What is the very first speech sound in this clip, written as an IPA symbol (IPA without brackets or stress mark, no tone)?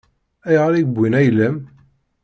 æ